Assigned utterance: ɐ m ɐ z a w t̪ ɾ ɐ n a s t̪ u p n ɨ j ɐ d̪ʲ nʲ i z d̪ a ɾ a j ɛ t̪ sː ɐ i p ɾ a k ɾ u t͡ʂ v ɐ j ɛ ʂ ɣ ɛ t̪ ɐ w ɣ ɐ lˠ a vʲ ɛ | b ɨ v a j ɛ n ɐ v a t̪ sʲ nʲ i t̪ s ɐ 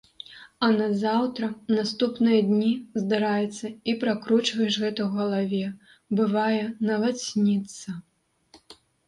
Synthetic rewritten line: ɐ n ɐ z a w t̪ ɾ ɐ n a s t̪ u p n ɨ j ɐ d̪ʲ nʲ i z d̪ a ɾ a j ɛ t̪ sː ɐ i p ɾ a k ɾ u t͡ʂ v ɐ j ɛ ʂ ɣ ɛ t̪ ɐ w ɣ ɐ lˠ a vʲ ɛ | b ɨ v a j ɛ n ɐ v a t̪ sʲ nʲ i t̪ s ɐ